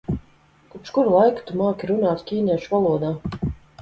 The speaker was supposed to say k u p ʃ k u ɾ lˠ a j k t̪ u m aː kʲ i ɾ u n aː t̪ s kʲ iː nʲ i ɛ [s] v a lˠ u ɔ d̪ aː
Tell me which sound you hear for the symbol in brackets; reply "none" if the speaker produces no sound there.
ʃ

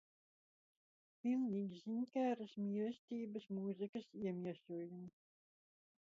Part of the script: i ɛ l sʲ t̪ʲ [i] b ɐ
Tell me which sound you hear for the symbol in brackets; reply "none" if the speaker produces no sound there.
iː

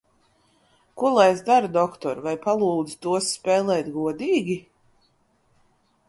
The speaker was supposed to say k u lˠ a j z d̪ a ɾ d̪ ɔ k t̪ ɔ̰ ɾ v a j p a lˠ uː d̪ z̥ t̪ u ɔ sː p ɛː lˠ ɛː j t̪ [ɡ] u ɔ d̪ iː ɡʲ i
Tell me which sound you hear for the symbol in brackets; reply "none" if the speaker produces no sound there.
ɡ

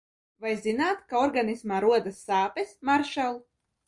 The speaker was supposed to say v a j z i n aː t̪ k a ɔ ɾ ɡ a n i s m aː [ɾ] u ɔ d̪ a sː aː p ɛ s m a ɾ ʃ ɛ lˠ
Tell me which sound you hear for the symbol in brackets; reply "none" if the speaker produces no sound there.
ɾ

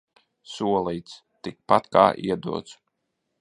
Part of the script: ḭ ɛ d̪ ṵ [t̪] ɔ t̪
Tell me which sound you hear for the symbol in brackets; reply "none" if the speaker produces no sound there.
none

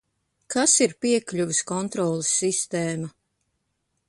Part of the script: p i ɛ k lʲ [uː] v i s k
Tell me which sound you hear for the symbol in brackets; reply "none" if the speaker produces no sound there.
u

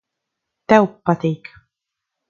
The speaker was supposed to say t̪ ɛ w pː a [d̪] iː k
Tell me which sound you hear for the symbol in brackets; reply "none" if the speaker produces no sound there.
t̪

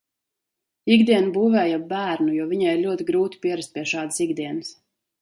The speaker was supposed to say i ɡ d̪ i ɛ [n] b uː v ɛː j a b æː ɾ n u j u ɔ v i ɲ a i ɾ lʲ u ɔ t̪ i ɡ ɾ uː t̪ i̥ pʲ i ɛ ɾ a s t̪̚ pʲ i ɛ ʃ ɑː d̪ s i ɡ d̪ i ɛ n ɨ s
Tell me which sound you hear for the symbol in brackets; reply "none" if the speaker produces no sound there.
n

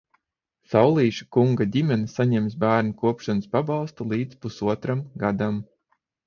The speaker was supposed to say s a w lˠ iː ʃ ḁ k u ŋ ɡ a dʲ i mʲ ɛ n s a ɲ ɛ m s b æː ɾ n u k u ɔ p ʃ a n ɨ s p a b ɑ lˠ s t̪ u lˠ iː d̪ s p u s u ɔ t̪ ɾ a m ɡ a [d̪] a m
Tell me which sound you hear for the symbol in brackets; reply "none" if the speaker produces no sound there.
d̪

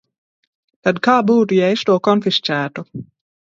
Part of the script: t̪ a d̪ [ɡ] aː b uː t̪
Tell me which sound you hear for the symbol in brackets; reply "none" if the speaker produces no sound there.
k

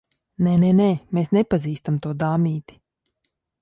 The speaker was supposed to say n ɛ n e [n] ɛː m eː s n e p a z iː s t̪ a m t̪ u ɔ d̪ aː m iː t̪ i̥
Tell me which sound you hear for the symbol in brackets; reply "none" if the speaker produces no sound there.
n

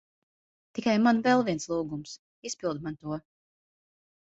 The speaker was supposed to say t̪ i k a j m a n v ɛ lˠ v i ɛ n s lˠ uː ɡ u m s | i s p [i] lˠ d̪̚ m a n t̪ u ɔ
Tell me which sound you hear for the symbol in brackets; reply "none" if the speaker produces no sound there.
i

